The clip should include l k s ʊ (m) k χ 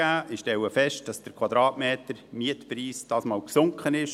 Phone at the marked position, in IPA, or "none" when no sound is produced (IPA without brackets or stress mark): ŋ